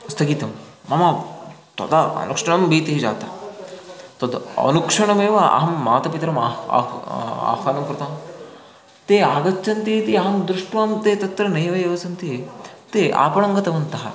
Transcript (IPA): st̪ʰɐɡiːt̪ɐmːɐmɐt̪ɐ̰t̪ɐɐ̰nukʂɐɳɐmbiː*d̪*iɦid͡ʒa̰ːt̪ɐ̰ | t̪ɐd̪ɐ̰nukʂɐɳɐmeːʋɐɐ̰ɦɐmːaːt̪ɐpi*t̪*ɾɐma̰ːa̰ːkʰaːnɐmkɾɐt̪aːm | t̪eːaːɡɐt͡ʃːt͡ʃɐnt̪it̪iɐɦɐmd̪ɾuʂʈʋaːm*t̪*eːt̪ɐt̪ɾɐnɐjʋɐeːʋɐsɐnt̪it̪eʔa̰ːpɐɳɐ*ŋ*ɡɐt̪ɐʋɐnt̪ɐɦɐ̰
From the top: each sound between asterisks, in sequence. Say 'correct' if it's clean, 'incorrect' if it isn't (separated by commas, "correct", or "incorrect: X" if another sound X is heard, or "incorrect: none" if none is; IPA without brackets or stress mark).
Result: incorrect: t̪, correct, correct, correct